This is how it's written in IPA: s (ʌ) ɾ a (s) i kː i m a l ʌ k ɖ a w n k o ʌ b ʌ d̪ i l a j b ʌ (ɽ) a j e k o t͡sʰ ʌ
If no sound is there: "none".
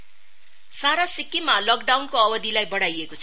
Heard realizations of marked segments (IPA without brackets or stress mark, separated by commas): a, s, ɽ